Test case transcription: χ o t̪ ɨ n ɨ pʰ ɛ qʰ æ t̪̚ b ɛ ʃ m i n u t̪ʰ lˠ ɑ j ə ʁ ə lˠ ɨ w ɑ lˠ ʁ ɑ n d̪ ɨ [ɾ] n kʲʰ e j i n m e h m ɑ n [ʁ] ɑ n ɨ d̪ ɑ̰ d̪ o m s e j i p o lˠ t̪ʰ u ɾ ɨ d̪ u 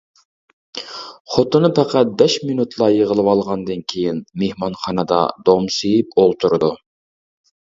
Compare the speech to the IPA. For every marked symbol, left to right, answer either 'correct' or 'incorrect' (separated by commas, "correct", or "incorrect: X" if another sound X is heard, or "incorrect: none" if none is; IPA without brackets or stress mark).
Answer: incorrect: none, incorrect: χ